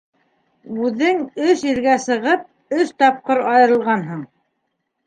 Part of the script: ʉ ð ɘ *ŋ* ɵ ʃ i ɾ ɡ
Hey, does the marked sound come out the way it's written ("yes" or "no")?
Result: yes